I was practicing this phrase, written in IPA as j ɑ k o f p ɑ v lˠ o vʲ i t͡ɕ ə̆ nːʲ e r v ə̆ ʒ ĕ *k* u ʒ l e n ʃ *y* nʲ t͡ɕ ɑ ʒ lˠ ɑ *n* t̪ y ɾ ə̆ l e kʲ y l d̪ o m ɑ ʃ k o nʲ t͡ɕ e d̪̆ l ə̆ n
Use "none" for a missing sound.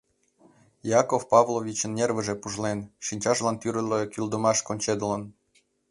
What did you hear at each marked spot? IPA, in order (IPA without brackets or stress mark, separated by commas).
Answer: p, i, n